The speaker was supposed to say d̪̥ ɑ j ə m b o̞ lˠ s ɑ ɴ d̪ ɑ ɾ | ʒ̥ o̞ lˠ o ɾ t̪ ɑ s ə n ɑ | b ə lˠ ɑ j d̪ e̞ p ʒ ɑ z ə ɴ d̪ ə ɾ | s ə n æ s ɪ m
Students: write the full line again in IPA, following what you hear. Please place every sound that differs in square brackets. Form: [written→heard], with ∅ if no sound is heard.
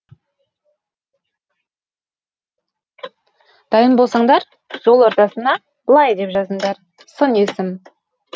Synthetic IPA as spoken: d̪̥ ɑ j ə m b o̞ lˠ s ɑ ɴ d̪ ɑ ɾ | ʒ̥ o̞ lˠ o ɾ t̪ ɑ s ə n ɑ | b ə lˠ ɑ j d̪ e̞ p ʒ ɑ z ə ɴ d̪ [ə→ɑ] ɾ | s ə n [æ→e] s ɪ m